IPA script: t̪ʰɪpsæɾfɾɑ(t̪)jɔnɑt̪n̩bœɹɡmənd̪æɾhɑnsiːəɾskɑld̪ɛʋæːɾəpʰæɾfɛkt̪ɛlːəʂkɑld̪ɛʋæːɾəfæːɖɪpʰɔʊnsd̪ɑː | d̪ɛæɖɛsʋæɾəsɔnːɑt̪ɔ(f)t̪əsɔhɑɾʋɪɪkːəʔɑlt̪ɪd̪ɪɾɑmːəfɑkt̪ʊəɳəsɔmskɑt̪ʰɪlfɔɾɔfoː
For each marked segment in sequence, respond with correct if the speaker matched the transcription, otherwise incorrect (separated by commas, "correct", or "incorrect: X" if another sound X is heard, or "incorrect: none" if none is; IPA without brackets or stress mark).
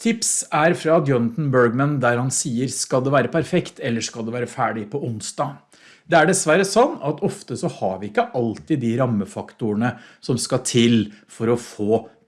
incorrect: d̪, correct